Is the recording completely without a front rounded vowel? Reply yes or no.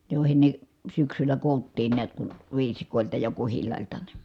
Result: no